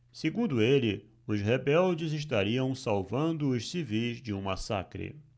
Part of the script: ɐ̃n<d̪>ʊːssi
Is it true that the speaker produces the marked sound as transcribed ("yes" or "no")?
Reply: yes